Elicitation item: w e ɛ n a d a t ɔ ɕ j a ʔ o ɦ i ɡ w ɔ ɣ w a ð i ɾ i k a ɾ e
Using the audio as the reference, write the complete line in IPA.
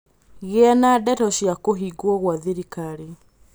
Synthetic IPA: ɣ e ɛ n a d ɛ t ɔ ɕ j a k o ɦ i ɡ w ɔ ɣ w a ð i ɾ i k a ɾ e